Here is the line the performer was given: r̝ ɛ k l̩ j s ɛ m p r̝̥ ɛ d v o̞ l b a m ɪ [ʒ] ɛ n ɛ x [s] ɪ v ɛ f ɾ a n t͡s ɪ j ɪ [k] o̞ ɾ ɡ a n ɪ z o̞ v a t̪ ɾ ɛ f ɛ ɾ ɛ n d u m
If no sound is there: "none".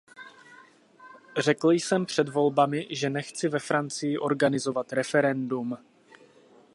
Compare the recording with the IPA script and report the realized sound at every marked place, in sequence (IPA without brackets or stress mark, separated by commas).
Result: ʒ, t͡s, ʔ